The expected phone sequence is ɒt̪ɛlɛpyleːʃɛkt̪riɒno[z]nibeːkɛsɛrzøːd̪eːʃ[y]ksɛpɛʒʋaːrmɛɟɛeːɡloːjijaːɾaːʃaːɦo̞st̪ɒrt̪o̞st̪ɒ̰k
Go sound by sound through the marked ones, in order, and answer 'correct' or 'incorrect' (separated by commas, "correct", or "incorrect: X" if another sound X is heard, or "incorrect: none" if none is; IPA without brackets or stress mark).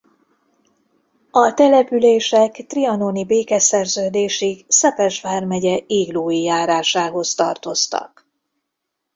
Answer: incorrect: none, incorrect: i